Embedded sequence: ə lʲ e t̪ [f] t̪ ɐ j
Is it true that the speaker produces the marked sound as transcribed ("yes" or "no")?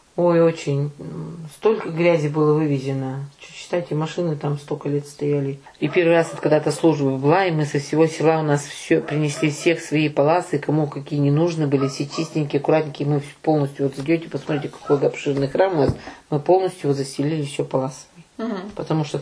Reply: no